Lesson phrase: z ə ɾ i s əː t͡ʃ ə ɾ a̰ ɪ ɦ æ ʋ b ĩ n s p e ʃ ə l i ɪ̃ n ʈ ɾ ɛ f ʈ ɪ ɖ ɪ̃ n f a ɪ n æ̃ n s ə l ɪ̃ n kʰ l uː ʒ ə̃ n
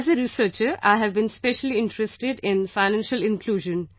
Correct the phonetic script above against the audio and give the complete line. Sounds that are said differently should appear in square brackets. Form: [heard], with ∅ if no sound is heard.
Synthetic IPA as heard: z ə ɾ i s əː t͡ʃ ə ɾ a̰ ɪ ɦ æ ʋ b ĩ n s p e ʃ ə l i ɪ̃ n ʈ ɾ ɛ [s] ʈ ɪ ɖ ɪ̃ n f a ɪ n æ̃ n [ʃ] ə l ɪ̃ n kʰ l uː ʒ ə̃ n